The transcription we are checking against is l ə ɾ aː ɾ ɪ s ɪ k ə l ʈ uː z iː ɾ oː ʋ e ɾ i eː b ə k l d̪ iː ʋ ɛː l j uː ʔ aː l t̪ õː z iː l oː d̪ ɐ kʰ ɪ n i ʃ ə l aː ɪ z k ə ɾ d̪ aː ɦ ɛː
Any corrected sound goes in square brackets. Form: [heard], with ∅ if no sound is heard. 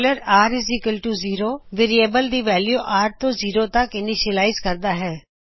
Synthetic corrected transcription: l ə ɾ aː ɾ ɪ [z] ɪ k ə l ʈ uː z iː ɾ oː ʋ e ɾ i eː b ə [∅] l d̪ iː ʋ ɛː l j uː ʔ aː [ɾ] t̪ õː z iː [ɾ] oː [t̪] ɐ [k] ɪ n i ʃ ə l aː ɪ z k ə ɾ d̪ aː ɦ ɛː